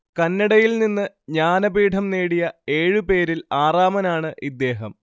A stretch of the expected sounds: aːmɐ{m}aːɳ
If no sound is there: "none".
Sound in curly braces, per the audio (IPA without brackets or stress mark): n